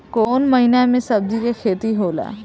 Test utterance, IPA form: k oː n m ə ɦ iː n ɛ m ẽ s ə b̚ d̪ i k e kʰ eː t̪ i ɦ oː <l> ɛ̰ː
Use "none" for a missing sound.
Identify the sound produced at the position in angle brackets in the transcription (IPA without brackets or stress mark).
l